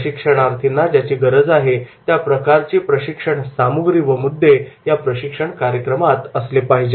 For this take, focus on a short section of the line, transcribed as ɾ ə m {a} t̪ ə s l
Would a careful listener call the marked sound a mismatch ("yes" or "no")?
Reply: no